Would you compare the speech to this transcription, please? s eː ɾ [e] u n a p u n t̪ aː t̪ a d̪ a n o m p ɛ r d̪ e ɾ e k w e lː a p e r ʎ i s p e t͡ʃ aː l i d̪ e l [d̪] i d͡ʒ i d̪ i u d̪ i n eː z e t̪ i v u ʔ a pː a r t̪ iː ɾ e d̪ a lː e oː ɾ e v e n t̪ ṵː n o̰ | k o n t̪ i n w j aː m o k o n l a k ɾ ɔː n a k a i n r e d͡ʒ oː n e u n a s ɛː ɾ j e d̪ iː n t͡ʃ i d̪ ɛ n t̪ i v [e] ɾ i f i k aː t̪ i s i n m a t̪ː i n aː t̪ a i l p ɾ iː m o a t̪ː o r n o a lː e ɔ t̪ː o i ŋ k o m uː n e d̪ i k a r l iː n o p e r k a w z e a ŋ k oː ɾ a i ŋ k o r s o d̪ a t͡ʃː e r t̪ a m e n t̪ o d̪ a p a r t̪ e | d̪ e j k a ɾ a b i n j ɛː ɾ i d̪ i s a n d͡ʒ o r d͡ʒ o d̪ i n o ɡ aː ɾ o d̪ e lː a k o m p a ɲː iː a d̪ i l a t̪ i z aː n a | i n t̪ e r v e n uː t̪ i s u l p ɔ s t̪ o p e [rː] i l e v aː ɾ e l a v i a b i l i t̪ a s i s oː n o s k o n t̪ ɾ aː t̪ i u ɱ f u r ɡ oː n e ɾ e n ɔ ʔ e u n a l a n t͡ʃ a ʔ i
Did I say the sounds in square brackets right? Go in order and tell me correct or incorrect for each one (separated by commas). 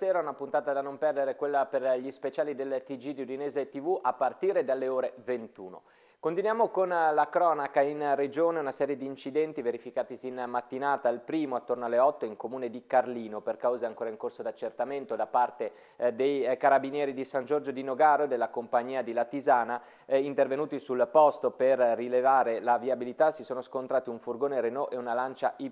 incorrect, incorrect, correct, correct